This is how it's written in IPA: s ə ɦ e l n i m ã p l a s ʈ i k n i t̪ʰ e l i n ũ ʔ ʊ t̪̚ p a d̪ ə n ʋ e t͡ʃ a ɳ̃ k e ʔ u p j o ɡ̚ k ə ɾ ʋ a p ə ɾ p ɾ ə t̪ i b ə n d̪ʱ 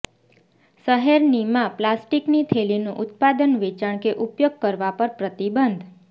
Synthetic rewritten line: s ə ɦ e ɾ n i m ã p l a s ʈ i k n i t̪ʰ e l i n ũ ʔ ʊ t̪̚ p a d̪ ə n ʋ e t͡ʃ a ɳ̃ k e ʔ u p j o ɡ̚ k ə ɾ ʋ a p ə ɾ p ɾ ə t̪ i b ə n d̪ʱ